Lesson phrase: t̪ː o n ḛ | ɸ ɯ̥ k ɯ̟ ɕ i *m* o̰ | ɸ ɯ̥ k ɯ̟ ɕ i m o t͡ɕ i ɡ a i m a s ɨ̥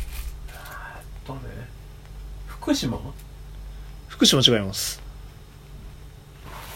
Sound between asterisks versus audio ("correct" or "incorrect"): correct